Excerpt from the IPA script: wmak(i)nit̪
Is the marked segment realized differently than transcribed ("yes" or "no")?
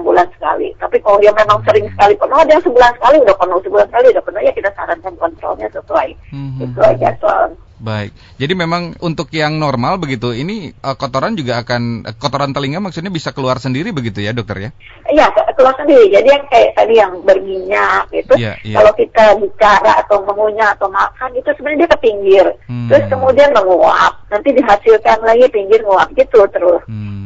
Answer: yes